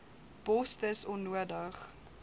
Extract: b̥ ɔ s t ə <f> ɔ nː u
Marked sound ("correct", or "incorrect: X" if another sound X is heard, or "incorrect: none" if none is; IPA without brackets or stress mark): incorrect: s